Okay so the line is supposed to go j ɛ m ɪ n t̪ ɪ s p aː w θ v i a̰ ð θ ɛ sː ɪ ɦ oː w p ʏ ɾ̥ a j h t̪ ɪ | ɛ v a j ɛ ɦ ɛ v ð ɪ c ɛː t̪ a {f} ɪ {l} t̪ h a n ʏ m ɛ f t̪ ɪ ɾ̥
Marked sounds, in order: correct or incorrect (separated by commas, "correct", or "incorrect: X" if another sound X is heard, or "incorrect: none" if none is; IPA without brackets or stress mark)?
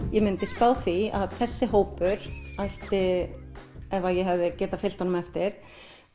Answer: correct, correct